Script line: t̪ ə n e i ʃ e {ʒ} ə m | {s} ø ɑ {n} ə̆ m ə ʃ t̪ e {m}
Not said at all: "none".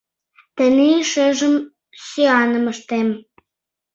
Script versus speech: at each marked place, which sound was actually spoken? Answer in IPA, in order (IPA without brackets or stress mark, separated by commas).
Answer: ʒ, s, n, m